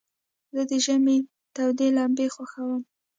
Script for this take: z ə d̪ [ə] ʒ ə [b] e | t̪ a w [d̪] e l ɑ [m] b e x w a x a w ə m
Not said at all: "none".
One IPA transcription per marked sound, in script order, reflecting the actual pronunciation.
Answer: ə, m, d̪, m

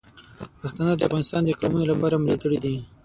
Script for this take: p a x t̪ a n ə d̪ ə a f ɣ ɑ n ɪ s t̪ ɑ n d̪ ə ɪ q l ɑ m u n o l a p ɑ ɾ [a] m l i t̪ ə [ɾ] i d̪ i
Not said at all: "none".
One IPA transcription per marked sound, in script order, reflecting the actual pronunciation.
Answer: a, ɽ

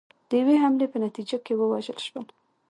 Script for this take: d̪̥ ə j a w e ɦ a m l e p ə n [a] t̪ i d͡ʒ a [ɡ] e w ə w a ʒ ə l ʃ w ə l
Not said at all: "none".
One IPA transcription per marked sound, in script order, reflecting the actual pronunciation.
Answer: a, k

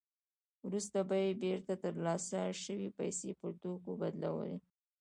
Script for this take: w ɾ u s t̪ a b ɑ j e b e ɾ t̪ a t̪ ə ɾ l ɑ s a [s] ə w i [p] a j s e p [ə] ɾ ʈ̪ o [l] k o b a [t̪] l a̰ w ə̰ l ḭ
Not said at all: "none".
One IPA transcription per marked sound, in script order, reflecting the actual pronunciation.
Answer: ʃ, p, ə, none, d̪

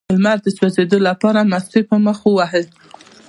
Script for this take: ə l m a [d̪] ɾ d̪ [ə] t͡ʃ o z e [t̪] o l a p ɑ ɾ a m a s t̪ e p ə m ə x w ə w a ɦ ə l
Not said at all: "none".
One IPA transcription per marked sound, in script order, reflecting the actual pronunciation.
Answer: none, ə, d̪

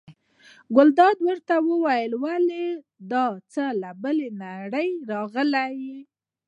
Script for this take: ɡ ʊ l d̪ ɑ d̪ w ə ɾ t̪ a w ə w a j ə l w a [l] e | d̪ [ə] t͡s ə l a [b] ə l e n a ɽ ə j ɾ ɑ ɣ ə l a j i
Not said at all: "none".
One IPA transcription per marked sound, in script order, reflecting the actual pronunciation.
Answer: l, ɑ, b

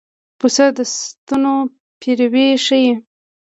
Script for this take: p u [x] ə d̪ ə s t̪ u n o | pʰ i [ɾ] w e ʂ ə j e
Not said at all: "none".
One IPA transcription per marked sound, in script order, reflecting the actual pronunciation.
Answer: s, ɾ

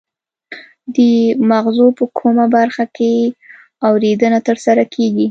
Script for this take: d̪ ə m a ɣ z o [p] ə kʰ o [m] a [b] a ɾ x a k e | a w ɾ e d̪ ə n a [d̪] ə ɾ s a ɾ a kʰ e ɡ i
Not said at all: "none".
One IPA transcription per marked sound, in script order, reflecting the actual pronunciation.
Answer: p, m, b, t̪

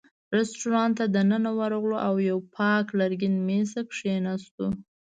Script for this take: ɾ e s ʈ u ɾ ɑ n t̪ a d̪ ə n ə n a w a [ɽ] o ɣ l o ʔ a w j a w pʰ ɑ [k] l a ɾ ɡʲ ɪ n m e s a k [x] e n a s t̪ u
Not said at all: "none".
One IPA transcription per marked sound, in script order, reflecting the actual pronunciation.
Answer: ɾ, k, ʂ

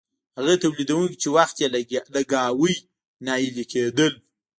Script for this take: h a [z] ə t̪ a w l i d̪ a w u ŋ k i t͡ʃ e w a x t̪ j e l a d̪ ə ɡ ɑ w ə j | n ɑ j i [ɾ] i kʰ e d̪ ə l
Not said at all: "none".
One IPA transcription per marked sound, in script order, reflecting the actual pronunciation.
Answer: ɣ, l

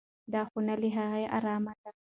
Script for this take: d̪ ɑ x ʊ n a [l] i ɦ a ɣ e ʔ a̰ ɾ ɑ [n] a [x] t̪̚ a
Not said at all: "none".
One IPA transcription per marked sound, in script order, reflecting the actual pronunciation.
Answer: l, m, none

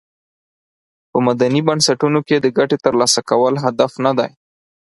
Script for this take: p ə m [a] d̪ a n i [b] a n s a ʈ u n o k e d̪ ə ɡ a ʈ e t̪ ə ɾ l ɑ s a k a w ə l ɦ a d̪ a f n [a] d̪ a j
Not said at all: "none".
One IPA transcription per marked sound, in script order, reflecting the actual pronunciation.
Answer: a, b, a

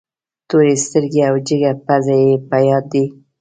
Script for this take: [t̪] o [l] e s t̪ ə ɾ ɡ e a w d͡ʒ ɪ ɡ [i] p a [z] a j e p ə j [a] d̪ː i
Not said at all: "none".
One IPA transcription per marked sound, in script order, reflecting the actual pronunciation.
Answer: t̪, ɾ, a, z, ɑ

